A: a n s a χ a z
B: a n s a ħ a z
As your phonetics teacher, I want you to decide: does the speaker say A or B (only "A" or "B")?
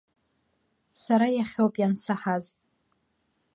B